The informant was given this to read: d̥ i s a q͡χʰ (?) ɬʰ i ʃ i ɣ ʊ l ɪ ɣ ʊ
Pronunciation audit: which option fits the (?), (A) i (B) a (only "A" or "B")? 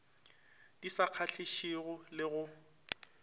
B